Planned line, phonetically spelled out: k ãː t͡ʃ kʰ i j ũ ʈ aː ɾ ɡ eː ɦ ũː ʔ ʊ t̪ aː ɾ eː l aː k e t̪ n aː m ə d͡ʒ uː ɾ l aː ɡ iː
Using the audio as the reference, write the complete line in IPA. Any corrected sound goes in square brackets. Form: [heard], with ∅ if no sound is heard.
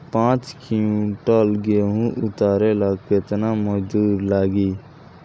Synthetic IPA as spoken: [p] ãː t͡ʃ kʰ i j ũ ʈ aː [l] ɡ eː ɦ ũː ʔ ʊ t̪ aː ɾ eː l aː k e t̪ n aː m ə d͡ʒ uː ɾ l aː ɡ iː